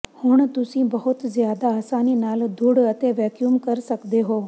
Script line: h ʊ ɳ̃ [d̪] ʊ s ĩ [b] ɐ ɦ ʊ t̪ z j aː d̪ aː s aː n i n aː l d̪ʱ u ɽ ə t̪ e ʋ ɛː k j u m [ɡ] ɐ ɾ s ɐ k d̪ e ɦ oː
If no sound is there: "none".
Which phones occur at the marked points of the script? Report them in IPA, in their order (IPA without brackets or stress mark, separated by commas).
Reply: t̪, b, k